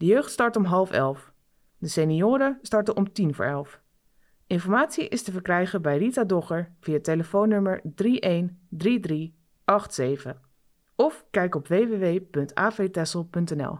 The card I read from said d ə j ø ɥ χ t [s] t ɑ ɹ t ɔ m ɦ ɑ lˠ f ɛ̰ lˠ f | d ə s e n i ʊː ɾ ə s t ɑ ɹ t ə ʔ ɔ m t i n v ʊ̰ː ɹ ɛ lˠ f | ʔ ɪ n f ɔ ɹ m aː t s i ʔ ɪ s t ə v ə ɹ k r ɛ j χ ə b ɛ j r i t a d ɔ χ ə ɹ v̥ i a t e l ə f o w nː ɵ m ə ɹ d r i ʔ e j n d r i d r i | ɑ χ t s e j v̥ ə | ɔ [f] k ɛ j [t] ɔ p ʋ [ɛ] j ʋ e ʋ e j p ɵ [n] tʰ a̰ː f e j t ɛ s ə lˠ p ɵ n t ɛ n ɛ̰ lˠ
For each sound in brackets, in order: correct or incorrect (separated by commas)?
correct, correct, incorrect, incorrect, correct